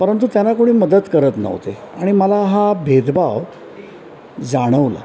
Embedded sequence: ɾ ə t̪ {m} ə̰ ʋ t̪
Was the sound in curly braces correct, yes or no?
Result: no